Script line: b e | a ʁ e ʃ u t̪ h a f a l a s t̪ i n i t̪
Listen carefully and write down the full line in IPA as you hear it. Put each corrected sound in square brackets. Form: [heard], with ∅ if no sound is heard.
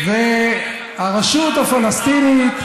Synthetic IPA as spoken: [v] e | a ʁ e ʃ u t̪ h a f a l a s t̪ i n i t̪